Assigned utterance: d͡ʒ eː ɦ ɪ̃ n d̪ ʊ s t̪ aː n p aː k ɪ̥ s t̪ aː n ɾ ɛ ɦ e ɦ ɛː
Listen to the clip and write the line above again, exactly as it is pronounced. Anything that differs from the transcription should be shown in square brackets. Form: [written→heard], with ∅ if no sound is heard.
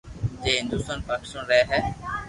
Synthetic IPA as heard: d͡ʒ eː ɦ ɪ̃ n d̪ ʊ s t̪ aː n p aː k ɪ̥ s t̪ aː n ɾ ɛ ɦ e ɦ ɛː